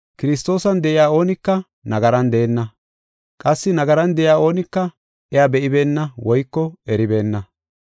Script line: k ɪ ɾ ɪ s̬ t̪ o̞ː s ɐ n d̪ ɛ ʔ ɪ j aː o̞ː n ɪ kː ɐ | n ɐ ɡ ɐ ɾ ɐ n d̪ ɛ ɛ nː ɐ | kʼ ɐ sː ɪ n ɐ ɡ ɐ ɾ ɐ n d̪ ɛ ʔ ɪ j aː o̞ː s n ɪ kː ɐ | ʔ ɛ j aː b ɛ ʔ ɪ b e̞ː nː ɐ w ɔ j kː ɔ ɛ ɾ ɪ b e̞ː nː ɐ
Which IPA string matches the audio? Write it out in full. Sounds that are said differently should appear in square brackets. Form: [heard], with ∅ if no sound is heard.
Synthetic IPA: k ɪ ɾ ɪ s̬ t̪ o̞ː s ɐ n d̪ ɛ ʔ ɪ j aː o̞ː n ɪ kː ɐ | n ɐ ɡ ɐ ɾ ɐ n d̪ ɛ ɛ nː ɐ | kʼ ɐ sː ɪ n ɐ ɡ ɐ ɾ ɐ n d̪ ɛ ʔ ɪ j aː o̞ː [∅] n ɪ kː ɐ | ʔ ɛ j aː b ɛ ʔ ɪ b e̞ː nː ɐ w ɔ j kː ɔ ɛ ɾ ɪ b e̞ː nː ɐ

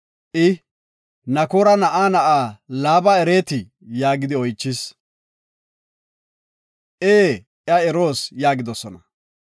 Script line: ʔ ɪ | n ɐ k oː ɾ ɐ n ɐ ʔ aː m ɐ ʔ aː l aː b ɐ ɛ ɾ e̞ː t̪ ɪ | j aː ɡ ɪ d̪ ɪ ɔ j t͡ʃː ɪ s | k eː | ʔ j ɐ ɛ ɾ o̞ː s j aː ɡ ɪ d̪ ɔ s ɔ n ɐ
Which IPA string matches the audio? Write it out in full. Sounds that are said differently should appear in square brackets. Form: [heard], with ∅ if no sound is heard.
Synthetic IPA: ʔ ɪ | n ɐ k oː ɾ ɐ n ɐ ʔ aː [n] ɐ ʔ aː l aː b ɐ ɛ ɾ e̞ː t̪ ɪ | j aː ɡ ɪ d̪ ɪ ɔ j t͡ʃː ɪ s | [ʔ] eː | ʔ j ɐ ɛ ɾ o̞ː s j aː ɡ ɪ d̪ ɔ s ɔ n ɐ

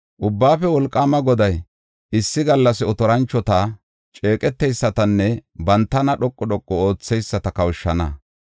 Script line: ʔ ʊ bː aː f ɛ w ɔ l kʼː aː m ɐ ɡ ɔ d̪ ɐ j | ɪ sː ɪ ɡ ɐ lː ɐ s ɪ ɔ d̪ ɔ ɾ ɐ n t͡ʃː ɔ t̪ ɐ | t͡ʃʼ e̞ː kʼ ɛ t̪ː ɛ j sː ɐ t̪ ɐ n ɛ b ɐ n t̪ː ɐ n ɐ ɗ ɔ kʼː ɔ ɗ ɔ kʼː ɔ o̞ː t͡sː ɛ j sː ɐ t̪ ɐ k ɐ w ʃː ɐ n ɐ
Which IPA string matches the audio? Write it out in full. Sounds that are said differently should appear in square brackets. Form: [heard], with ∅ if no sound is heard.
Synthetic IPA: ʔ ʊ bː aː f ɛ w ɔ l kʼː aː m ɐ ɡ ɔ d̪ ɐ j | ɪ sː ɪ ɡ ɐ lː ɐ s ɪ ɔ [t̪] ɔ ɾ ɐ n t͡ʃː ɔ t̪ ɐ | t͡ʃʼ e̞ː kʼ ɛ t̪ː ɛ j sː ɐ t̪ ɐ [nː] ɛ b ɐ n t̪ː ɐ n ɐ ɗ ɔ kʼː ɔ ɗ ɔ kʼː ɔ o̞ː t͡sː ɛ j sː ɐ t̪ ɐ k ɐ w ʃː ɐ n ɐ

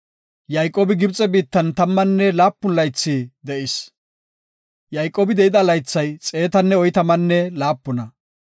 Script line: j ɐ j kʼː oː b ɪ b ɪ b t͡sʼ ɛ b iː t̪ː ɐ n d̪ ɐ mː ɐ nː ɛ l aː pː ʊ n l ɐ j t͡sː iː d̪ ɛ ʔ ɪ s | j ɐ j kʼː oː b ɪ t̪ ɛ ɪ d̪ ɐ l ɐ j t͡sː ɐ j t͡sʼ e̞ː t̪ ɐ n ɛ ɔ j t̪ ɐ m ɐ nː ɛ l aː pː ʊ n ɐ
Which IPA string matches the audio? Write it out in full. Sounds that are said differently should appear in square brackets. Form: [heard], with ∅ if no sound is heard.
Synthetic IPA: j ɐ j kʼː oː b ɪ [ɡ] ɪ b t͡sʼ ɛ b iː t̪ː ɐ n [t̪] ɐ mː ɐ nː ɛ l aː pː ʊ n l ɐ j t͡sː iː d̪ ɛ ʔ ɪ s | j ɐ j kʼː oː b ɪ [d̪] ɛ ɪ d̪ ɐ l ɐ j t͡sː ɐ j t͡sʼ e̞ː t̪ ɐ [nː] ɛ ɔ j t̪ ɐ m ɐ nː ɛ l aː pː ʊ n ɐ

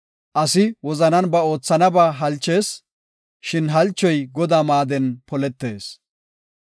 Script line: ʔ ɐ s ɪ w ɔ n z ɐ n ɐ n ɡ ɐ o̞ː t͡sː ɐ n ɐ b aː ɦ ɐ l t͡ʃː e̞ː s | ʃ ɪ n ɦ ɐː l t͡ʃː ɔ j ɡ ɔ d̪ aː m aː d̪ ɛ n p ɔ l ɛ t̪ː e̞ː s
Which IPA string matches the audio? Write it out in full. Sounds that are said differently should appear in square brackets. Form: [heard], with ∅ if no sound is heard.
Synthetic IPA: ʔ ɐ s ɪ w ɔ [∅] z ɐ n ɐ n [b] ɐ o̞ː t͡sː ɐ n ɐ b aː ɦ ɐ l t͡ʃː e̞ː s | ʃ ɪ n ɦ [ɐ] l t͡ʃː ɔ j ɡ ɔ d̪ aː m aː d̪ ɛ n p ɔ l ɛ t̪ː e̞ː s

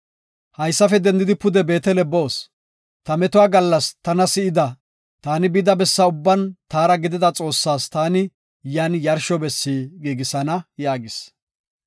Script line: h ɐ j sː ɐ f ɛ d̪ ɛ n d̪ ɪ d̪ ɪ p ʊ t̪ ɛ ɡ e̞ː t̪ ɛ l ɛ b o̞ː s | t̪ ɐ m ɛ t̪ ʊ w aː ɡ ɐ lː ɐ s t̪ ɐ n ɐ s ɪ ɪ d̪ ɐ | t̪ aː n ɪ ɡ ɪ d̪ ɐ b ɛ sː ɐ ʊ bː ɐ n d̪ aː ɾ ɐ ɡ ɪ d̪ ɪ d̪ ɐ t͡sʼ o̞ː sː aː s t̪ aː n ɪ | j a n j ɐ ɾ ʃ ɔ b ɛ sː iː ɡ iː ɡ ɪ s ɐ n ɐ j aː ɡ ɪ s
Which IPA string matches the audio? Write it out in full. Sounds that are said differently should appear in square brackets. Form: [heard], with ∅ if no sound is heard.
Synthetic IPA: h ɐ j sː ɐ f ɛ d̪ ɛ n d̪ ɪ d̪ ɪ p ʊ [d̪] ɛ [b] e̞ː t̪ ɛ l ɛ b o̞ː s | t̪ ɐ m ɛ t̪ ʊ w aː ɡ ɐ lː ɐ s t̪ ɐ n ɐ s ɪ ɪ d̪ ɐ | t̪ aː n ɪ [b] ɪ d̪ ɐ b ɛ sː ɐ ʊ bː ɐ n [t̪] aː ɾ ɐ ɡ ɪ d̪ ɪ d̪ ɐ t͡sʼ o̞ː sː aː s t̪ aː n ɪ | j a n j ɐ ɾ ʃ ɔ b ɛ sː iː ɡ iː ɡ ɪ s ɐ n ɐ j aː ɡ ɪ s

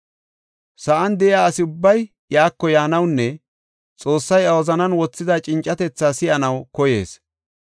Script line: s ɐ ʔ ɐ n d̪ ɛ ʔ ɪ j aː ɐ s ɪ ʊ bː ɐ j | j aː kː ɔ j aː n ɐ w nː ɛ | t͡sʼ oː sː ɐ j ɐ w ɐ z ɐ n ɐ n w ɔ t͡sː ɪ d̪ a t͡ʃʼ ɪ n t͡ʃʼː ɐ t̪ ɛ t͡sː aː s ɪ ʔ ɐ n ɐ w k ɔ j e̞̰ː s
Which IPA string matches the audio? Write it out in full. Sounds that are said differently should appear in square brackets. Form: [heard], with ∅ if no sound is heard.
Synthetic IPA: s ɐ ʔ ɐ n d̪ ɛ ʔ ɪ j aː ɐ s ɪ ʊ bː ɐ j | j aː kː ɔ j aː n ɐ w nː ɛ | t͡sʼ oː sː ɐ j ɐ w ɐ z ɐ n ɐ n w ɔ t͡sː ɪ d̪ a t͡ʃʼ ɪ n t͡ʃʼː ɐ t̪ ɛ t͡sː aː s ɪ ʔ ɐ n ɐ w k ɔ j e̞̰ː s

